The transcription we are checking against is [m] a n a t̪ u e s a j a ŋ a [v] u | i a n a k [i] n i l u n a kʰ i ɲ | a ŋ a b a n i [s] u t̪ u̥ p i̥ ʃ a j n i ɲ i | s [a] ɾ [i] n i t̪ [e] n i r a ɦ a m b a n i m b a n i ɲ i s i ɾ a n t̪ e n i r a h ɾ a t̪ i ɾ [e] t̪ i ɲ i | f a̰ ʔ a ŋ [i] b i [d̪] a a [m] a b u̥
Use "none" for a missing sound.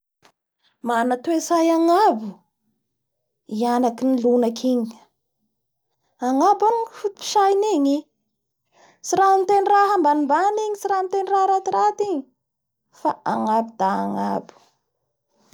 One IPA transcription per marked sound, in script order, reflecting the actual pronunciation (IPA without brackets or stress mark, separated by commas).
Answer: m, b, i, f, i, a, e, a, a, d̪, ŋ